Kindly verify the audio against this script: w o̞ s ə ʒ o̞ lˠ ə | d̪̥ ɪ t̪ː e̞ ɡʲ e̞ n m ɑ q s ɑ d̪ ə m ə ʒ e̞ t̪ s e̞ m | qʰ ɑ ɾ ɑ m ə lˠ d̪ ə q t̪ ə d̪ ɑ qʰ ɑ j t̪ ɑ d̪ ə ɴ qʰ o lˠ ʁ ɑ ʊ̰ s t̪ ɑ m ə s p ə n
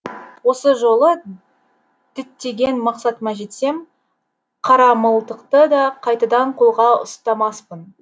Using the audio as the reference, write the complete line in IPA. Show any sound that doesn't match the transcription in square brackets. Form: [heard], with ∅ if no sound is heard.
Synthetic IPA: w o̞ s ə ʒ o̞ lˠ ə | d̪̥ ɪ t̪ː e̞ ɡʲ e̞ n m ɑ q s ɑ [t̪] ə m [ɑ] ʒ e̞ t̪ s e̞ m | qʰ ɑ ɾ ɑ m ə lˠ [t̪] ə q t̪ ə d̪ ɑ qʰ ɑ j t̪ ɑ d̪ [ɑ] ɴ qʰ o lˠ ʁ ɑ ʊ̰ s t̪ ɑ m [ɑ] s p ə n

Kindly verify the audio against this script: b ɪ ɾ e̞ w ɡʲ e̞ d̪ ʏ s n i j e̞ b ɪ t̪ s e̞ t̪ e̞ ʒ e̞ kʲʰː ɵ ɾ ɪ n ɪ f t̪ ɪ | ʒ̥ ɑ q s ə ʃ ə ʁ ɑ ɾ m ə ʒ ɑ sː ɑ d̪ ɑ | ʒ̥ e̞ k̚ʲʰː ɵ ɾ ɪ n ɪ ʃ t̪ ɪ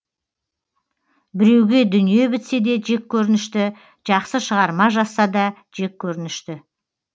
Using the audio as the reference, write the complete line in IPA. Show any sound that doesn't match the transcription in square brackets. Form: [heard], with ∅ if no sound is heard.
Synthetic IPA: b ɪ ɾ e̞ w ɡʲ e̞ d̪ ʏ [∅] n i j e̞ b ɪ t̪ s e̞ [d̪] e̞ ʒ e̞ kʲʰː ɵ ɾ ɪ n ɪ [ʃ] t̪ ɪ | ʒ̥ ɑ q s ə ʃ ə ʁ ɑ ɾ m [ɑ] ʒ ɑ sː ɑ d̪ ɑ | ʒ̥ e̞ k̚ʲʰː ɵ ɾ ɪ n ɪ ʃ t̪ ɪ

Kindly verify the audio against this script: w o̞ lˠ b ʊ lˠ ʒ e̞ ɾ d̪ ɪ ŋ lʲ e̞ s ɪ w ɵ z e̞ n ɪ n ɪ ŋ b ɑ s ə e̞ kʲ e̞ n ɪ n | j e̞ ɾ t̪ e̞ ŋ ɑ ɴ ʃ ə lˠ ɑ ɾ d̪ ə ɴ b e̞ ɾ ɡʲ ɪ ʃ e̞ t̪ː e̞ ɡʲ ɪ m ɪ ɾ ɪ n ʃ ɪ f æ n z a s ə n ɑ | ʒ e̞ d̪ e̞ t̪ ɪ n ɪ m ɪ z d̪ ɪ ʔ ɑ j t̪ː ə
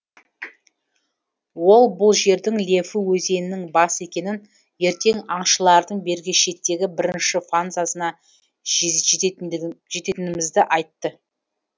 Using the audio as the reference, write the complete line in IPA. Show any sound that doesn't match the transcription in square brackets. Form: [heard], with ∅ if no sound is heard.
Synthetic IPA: w o̞ lˠ b ʊ lˠ ʒ e̞ ɾ d̪ ɪ ŋ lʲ e̞ [f] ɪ w ɵ z e̞ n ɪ n ɪ ŋ b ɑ s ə e̞ kʲ e̞ n ɪ n | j e̞ ɾ t̪ e̞ ŋ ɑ ɴ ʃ ə lˠ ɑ ɾ d̪ ə ɴ b e̞ ɾ ɡʲ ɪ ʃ e̞ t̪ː e̞ ɡʲ ɪ [b] ɪ ɾ ɪ n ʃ ɪ f [a] n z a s ə n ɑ | ʒ e̞ [t̪] e̞ t̪ ɪ n ɪ m ɪ z d̪ ɪ ʔ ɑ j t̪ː ə

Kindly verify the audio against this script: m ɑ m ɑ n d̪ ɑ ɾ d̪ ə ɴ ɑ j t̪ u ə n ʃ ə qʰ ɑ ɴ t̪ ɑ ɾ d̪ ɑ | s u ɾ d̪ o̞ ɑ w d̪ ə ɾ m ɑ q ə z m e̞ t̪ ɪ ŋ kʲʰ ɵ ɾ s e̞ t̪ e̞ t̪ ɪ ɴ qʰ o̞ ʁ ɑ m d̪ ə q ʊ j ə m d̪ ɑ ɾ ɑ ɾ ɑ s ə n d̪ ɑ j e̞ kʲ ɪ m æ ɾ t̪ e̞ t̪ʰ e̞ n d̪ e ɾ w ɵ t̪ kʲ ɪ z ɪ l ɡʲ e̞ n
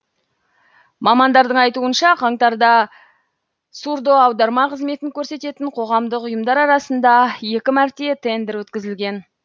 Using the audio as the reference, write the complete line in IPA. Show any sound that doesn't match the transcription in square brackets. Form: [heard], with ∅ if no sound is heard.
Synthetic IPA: m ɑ m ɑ n d̪ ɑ ɾ d̪ ə ɴ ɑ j t̪ u ə n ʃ [ɑ] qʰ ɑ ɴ t̪ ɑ ɾ d̪ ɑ | s u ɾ d̪ o̞ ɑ w d̪ [ɑ] ɾ m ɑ q ə z m e̞ t̪ ɪ ŋ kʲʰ ɵ ɾ s e̞ t̪ e̞ t̪ ɪ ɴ qʰ o̞ ʁ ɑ m d̪ ə q ʊ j ə m d̪ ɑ ɾ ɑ ɾ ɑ s ə n d̪ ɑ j e̞ kʲ ɪ m æ ɾ t̪ e̞ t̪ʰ e̞ n d̪ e ɾ w ɵ t̪ kʲ ɪ z ɪ l ɡʲ e̞ n

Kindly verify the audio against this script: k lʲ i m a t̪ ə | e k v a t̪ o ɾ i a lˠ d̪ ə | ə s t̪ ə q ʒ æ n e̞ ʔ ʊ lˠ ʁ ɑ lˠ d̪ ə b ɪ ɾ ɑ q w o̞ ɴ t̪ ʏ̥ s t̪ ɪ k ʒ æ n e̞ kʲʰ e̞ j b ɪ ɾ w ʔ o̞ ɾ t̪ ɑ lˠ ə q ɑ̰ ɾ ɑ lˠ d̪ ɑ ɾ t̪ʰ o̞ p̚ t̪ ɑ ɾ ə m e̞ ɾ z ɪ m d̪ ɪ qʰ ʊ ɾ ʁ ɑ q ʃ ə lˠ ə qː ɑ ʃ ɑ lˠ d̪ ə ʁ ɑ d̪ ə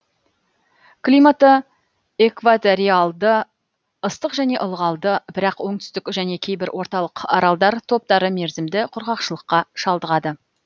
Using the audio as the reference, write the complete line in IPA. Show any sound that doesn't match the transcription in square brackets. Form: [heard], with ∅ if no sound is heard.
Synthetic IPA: k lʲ i m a t̪ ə | e k v a t̪ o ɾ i a lˠ d̪ ə | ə s t̪ ə q ʒ æ n e̞ ʔ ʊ lˠ ʁ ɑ lˠ d̪ ə b ɪ ɾ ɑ q w o̞ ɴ t̪ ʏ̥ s t̪ ɪ k ʒ æ n e̞ kʲʰ e̞ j b ɪ ɾ w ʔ o̞ ɾ t̪ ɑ lˠ ə q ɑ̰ ɾ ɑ lˠ d̪ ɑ ɾ t̪ʰ o̞ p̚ t̪ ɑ ɾ ə m e̞ ɾ z ɪ m d̪ ɪ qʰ ʊ ɾ ʁ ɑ q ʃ ə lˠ ə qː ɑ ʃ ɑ lˠ d̪ ə ʁ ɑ d̪ ə

